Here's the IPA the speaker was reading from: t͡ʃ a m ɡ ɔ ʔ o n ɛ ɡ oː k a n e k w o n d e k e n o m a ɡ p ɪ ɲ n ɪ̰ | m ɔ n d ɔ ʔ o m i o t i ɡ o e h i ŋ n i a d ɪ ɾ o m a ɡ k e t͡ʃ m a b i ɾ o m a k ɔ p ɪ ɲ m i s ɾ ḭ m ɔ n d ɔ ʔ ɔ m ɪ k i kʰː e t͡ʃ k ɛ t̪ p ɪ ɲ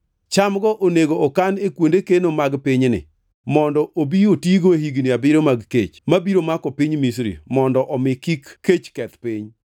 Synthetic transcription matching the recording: t͡ʃ a m ɡ ɔ ʔ o n e ɡ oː k a n e k w o n d e k e n o m a ɡ p ɪ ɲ n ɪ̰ | m ɔ n d ɔ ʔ o b i o t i ɡ o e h i ɡ n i a b ɪ ɾ o m a ɡ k e t͡ʃ m a b i ɾ o m a k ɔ p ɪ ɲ m i s ɾ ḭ m ɔ n d ɔ ʔ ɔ m ɪ k i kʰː e t͡ʃ k ɛ t̪ p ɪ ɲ